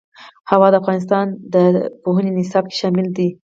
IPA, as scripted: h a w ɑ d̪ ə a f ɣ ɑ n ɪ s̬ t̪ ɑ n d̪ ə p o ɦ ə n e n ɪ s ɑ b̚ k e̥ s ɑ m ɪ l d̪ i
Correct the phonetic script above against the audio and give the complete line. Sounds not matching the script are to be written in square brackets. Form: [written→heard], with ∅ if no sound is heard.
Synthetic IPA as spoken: h a w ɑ d̪ ə a f ɣ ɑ n ɪ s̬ t̪ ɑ n d̪ ə p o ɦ ə n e n ɪ s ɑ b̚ k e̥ [s→ʃ] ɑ m ɪ l d̪ i